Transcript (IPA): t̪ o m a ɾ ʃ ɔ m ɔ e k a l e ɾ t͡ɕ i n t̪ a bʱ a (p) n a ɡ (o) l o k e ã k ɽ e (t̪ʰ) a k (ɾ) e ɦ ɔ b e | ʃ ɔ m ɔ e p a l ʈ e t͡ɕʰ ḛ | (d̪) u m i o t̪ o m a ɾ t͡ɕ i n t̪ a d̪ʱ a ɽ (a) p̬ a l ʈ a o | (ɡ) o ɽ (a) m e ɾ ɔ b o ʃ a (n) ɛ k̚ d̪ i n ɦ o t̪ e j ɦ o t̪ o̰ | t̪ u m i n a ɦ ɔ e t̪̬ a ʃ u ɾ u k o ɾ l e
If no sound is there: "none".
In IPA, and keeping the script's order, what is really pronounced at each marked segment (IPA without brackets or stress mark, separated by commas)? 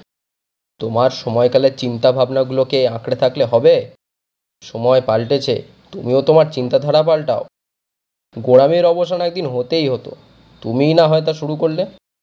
b, u, t̪ʰ, l, t̪, a, ɡ, a, n